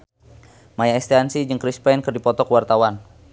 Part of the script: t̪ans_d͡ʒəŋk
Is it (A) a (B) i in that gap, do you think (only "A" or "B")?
B